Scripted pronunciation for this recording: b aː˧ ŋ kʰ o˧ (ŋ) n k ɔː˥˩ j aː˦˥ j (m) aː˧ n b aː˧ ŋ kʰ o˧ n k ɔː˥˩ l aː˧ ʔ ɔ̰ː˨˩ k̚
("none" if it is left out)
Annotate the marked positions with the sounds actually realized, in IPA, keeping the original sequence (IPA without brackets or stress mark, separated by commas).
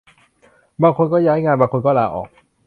none, ŋ